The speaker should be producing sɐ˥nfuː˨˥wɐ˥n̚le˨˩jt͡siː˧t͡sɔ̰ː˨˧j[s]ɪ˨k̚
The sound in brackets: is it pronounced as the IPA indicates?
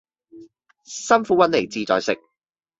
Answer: yes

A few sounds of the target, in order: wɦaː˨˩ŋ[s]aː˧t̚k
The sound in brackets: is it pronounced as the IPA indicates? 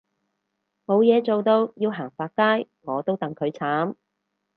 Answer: no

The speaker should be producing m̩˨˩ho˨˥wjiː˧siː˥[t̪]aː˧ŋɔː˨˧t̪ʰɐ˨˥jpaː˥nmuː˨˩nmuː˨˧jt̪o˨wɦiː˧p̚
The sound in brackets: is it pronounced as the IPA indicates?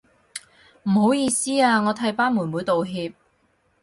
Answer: no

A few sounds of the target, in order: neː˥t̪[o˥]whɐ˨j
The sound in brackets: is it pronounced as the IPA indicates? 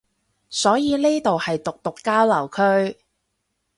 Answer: no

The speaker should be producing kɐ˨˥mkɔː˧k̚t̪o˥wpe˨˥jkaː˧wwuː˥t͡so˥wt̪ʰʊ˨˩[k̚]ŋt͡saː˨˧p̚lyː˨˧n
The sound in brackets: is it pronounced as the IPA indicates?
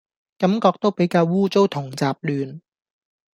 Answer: no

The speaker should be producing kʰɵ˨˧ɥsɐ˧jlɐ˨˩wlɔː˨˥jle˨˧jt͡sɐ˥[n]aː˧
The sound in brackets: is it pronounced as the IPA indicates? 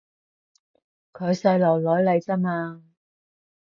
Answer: no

